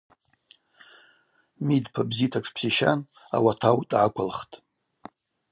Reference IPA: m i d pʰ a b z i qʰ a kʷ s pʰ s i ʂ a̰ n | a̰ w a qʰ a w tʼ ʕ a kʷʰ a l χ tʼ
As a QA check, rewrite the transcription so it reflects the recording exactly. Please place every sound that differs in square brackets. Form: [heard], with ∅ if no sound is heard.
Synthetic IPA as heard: m i d pʰ a b z i [tʰ] a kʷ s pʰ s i [ʃ] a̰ n | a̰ w a [tʰ] a w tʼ ʕ a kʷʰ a l χ tʼ